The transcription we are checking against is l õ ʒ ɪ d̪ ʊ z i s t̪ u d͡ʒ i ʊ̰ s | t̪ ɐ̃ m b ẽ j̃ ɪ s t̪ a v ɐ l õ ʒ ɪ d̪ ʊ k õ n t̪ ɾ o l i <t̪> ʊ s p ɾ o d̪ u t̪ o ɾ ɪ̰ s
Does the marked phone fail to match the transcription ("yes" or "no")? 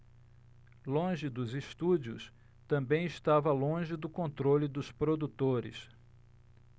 yes